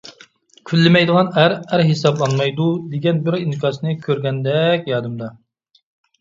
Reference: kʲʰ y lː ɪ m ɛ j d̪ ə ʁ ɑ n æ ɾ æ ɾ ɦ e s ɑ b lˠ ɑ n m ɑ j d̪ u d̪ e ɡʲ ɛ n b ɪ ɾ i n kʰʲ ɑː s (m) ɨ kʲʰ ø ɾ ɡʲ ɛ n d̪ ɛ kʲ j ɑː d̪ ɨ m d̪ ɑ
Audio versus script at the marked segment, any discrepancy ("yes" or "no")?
yes